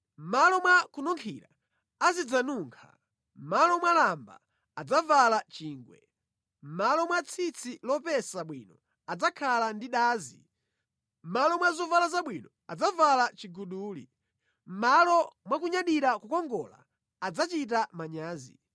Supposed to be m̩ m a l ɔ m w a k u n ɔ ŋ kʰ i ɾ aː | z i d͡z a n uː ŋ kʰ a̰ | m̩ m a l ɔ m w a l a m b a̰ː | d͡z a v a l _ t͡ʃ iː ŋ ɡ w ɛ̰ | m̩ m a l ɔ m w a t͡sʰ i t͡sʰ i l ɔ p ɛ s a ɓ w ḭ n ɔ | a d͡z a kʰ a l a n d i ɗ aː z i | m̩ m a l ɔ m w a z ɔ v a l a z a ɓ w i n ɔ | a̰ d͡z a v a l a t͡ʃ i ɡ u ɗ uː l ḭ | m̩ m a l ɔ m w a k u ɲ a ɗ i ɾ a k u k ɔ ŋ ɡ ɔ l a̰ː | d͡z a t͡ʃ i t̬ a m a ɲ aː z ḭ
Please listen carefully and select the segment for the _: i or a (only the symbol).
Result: a